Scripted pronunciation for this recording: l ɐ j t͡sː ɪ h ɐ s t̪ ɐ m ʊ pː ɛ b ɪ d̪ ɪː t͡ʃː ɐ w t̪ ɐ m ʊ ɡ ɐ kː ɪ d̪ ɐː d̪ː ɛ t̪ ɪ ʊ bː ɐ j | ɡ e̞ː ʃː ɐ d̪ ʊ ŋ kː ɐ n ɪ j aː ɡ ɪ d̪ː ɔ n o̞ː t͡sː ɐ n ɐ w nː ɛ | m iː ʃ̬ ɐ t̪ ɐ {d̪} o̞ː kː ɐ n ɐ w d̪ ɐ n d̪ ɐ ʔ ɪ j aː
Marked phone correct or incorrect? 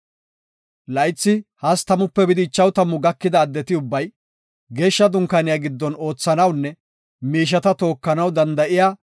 incorrect